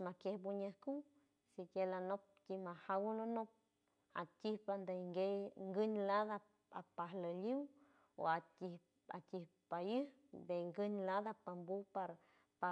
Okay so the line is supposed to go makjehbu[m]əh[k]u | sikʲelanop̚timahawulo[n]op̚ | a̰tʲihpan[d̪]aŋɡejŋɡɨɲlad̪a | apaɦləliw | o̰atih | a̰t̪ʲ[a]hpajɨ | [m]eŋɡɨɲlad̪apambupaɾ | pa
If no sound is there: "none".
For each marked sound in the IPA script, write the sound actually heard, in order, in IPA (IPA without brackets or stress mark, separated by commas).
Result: ɲ, k, n, d̪, i, b